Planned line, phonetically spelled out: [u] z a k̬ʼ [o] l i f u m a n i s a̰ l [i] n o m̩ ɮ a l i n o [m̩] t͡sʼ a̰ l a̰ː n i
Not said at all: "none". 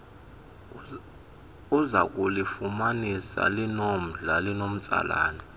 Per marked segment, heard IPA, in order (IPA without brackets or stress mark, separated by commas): u, u, i, m̩